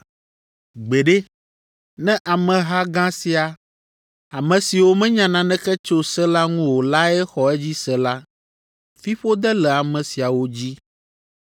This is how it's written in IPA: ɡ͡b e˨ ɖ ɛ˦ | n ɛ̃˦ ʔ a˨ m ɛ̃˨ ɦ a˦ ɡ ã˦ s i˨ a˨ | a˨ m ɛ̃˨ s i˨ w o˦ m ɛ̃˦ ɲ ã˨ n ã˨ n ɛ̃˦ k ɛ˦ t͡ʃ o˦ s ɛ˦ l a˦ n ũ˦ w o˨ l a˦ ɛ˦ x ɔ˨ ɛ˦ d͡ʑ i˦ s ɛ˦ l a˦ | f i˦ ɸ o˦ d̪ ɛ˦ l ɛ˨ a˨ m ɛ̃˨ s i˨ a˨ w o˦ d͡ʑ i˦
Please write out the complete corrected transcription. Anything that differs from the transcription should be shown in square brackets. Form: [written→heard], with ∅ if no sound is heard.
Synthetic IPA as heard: ɡ͡b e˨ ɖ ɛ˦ | n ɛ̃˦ ʔ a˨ m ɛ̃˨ ɦ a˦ ɡ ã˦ s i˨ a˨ | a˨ m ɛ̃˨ s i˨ w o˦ m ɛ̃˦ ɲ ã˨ n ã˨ n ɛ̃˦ k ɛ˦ t͡ʃ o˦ s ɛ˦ l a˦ [n→ŋ] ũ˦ w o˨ l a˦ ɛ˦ x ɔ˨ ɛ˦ d͡ʑ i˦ s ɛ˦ l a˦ | f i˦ ɸ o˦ d̪ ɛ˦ l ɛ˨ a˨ m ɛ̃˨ s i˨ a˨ w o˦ d͡ʑ i˦